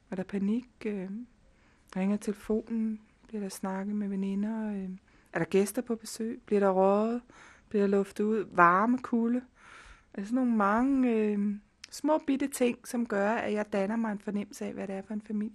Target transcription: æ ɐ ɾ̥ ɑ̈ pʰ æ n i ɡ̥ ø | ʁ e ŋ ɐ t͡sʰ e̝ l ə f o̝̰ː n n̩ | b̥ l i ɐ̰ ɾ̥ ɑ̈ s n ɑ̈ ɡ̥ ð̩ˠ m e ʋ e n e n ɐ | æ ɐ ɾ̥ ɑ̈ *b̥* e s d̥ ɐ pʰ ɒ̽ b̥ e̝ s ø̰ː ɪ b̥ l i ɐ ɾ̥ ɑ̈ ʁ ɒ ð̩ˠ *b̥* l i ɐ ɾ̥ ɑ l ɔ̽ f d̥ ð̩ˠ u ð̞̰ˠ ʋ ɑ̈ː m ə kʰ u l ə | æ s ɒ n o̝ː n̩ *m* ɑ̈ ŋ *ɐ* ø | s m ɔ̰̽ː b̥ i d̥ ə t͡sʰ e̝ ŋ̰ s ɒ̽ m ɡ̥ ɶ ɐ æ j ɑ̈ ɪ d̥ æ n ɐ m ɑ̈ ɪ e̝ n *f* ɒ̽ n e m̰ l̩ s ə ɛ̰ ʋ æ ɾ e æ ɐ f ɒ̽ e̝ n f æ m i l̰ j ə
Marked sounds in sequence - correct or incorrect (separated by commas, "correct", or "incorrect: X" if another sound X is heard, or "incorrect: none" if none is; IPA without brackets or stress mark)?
incorrect: ɡ̥, correct, correct, incorrect: ə, correct